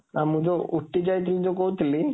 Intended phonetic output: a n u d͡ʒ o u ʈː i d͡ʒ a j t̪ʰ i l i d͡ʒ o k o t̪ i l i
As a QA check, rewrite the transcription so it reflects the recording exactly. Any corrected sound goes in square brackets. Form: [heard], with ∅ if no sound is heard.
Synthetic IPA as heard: a [m] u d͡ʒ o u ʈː i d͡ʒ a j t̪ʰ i l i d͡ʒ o k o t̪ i l i